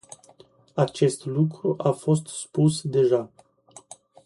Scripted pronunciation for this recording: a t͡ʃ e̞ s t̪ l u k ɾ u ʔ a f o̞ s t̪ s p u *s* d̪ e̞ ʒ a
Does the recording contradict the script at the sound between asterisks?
no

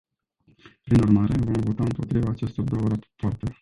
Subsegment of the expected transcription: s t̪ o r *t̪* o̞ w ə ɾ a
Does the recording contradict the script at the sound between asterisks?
yes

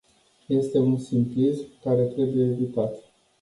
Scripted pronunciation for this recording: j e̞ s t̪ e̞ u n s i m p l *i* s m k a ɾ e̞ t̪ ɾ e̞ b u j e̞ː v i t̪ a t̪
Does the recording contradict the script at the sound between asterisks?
no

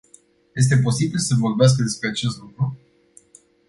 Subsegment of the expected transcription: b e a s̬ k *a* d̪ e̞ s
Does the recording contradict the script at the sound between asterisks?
yes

